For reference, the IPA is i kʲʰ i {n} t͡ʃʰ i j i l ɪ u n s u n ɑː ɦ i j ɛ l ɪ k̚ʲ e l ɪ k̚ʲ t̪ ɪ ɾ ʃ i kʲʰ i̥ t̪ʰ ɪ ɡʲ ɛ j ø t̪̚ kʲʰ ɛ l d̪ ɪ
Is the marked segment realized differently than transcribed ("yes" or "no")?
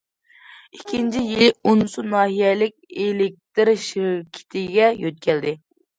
no